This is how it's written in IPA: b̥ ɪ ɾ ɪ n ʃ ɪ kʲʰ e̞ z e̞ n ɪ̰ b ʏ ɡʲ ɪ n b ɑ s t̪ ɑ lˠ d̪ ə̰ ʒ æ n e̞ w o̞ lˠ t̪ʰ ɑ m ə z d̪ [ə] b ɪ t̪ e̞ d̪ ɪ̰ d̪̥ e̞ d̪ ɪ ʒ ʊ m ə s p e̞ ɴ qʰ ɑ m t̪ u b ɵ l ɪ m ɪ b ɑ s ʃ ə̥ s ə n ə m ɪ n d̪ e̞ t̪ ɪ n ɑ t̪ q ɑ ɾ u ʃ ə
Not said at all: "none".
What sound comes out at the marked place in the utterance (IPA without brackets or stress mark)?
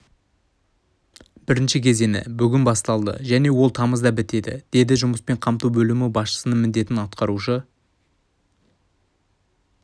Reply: ɑ